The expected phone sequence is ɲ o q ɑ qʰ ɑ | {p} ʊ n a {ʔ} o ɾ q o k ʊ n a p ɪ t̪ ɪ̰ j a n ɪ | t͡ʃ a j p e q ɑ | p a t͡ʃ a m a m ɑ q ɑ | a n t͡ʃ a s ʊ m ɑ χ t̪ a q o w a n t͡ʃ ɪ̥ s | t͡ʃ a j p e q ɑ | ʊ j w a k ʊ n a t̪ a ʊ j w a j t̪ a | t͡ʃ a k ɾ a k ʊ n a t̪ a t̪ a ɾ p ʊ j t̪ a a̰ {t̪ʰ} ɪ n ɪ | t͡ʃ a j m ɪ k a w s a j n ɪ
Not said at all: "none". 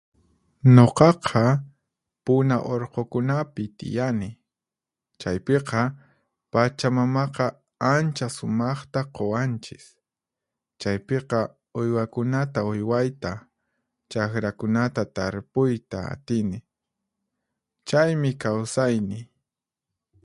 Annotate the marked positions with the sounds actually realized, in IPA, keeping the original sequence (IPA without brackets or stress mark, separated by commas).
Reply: p, ʔ, t̪